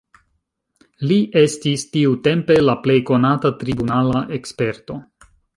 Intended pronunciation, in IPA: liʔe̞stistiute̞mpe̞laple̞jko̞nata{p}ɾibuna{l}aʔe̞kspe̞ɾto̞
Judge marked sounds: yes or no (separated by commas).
no, yes